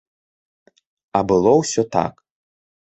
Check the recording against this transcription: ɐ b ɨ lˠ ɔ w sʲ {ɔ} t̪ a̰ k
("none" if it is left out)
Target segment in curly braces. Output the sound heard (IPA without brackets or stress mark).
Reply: ɔ